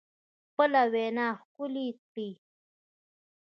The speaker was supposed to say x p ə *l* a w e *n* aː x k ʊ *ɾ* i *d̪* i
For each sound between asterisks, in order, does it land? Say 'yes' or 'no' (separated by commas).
yes, yes, no, no